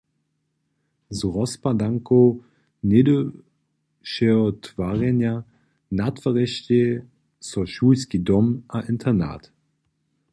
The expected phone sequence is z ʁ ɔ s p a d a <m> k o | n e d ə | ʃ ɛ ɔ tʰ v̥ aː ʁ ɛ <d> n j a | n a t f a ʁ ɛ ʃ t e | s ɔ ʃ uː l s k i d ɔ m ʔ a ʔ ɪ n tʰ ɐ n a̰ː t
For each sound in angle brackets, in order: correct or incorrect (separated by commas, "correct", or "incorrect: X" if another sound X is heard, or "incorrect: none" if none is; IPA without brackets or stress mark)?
incorrect: ŋ, incorrect: none